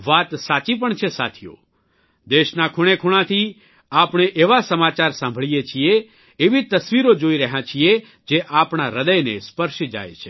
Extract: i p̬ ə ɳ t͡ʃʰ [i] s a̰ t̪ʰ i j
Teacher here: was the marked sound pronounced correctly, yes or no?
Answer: no